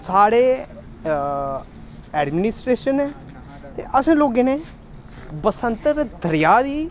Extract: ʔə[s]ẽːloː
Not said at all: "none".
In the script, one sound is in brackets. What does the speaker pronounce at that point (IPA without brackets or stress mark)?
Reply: s